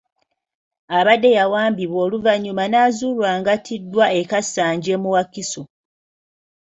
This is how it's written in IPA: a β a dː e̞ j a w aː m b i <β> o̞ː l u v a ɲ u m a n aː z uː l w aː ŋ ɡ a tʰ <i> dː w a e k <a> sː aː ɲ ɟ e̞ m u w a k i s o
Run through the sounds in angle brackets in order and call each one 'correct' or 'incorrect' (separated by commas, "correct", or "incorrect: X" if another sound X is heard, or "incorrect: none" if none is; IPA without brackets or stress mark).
correct, correct, correct